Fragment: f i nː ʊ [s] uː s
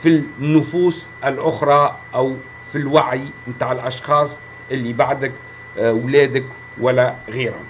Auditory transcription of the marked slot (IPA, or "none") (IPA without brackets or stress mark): f